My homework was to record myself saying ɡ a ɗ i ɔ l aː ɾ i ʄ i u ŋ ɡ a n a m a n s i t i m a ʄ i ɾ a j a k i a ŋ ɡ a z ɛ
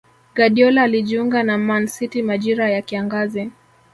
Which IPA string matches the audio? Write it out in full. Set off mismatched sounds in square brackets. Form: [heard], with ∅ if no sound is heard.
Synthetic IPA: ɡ a ɗ i ɔ l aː [l] i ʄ i u ŋ ɡ a n a m a n s i t i m a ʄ i ɾ a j a k i a ŋ ɡ a z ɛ